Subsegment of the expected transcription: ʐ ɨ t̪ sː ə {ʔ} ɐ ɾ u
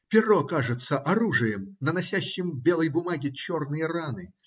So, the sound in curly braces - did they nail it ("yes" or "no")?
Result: yes